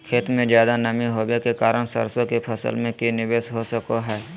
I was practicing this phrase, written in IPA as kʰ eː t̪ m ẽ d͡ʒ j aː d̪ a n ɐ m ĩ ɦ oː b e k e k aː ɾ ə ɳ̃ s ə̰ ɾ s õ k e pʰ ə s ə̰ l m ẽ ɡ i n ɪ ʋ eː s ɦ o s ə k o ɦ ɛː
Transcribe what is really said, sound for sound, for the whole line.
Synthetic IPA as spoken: kʰ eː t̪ m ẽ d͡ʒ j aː d̪ a n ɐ m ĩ ɦ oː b e k e k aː ɾ ə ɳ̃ s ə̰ ɾ s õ k e pʰ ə s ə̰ l m ẽ k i n ɪ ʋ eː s ɦ o s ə k o ɦ ɛː